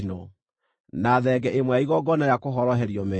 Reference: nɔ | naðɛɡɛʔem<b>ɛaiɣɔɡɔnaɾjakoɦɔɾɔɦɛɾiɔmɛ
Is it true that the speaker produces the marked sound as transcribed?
no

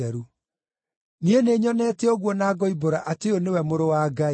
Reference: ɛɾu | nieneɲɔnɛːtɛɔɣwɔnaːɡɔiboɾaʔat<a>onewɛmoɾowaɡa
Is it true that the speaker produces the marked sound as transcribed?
no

